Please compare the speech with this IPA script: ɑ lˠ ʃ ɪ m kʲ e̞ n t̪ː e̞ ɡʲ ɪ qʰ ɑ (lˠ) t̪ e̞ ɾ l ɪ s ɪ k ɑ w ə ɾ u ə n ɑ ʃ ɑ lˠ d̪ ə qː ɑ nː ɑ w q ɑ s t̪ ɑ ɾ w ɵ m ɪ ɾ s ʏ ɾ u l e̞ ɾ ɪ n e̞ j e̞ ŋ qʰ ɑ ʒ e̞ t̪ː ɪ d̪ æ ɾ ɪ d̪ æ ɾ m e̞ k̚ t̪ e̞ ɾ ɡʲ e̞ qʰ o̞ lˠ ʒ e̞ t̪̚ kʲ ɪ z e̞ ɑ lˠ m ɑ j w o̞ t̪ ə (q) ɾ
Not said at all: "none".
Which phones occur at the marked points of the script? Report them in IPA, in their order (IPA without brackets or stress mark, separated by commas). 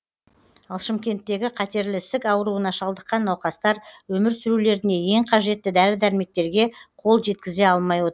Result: none, none